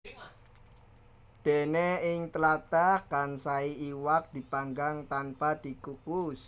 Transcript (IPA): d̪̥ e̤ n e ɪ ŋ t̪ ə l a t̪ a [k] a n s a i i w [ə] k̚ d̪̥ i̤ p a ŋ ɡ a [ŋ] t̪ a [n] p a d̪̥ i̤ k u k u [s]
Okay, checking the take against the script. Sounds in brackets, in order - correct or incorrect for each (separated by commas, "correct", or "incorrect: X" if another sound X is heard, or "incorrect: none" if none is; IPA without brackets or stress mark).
correct, incorrect: a, correct, correct, correct